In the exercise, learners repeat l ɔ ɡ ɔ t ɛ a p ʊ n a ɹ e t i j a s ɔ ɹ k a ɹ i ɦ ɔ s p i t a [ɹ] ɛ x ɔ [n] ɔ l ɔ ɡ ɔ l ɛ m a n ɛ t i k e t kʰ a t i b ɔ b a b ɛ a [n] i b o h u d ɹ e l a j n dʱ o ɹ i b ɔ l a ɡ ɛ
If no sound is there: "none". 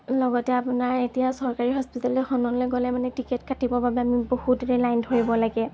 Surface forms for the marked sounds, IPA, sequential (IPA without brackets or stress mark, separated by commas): l, n, m